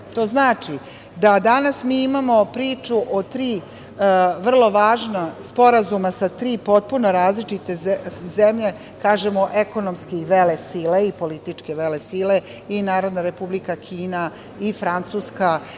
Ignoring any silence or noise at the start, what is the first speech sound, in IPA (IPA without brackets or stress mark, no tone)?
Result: t̪